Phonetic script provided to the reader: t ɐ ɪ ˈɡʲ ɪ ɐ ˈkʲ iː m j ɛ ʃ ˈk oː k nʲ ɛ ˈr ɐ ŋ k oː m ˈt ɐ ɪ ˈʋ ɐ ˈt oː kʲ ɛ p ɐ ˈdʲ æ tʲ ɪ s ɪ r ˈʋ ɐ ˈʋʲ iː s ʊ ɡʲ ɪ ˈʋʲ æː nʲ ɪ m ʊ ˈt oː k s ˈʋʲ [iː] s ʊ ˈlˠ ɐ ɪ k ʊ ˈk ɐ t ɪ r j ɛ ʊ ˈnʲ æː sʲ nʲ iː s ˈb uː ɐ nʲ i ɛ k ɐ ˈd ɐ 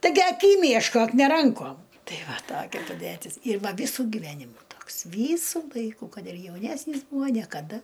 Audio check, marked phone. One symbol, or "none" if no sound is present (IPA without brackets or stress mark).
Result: iː